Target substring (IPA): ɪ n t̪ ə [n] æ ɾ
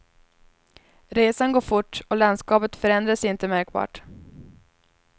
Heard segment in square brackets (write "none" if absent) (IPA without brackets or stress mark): m